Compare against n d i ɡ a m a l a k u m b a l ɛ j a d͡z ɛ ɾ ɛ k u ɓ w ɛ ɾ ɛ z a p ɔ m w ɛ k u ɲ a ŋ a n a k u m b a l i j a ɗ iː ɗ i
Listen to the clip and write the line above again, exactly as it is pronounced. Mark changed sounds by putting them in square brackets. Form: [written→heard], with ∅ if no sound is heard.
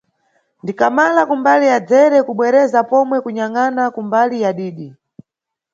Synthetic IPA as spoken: n d i [ɡ→k] a m a l a k u m b a l [ɛ→i] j a d͡z ɛ ɾ ɛ k u ɓ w ɛ ɾ ɛ z a p ɔ m w ɛ k u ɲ a ŋ a n a k u m b a l i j a ɗ iː ɗ i